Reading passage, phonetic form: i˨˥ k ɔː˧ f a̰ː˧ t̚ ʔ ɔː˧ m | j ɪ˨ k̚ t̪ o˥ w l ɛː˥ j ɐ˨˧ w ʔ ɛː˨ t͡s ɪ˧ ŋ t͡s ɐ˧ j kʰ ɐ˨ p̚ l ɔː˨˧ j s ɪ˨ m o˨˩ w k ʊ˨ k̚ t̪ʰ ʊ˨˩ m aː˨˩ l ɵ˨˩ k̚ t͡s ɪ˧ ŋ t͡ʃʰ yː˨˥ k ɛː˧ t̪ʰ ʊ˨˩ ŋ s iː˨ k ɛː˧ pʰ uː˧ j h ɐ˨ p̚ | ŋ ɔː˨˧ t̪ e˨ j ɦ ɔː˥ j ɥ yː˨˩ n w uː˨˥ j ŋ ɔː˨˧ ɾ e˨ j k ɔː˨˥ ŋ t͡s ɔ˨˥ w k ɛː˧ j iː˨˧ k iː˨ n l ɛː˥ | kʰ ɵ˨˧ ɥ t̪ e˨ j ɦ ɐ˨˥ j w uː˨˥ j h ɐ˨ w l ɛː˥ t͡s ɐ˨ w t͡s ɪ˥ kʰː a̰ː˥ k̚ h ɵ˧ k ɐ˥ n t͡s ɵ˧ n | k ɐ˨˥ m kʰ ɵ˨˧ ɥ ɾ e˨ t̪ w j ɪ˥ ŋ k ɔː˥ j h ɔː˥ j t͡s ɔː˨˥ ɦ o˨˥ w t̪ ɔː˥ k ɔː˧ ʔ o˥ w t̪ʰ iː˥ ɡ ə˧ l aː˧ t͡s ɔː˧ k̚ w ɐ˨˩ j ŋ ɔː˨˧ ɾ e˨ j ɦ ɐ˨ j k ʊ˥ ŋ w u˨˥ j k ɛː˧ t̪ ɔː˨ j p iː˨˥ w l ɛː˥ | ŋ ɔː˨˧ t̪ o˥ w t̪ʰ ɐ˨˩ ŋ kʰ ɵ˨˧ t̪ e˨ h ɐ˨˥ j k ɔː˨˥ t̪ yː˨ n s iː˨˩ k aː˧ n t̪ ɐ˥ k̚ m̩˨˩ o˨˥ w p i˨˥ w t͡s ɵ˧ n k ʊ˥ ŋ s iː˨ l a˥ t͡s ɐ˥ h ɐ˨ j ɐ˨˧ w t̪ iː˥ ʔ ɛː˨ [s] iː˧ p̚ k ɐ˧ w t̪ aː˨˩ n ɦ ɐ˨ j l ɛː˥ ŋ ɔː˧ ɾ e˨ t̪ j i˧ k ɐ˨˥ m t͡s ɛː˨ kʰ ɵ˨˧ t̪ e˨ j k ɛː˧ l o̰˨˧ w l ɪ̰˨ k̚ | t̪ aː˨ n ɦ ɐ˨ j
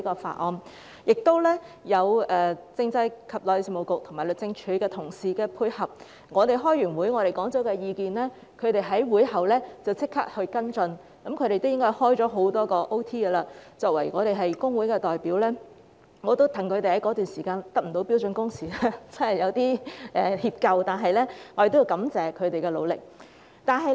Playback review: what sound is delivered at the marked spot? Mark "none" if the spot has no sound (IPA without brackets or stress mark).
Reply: h